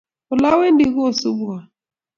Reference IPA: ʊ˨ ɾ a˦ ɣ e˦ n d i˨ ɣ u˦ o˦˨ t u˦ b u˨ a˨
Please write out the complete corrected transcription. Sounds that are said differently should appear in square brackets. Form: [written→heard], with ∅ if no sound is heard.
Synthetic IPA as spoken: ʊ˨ [ɾ→l] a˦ [ɣ→w] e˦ n d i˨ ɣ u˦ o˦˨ [t→s] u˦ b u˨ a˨